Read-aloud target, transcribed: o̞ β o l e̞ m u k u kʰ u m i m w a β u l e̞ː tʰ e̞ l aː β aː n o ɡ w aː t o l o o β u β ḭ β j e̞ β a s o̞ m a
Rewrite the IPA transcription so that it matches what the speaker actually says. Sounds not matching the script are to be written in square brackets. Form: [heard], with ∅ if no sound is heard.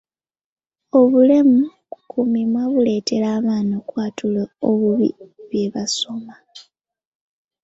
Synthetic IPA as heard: o̞ β [u] l e̞ m u k u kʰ u m i m w a β u l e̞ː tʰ e̞ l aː β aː n o [k] w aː t [u] l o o β u β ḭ β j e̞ β a s o̞ m a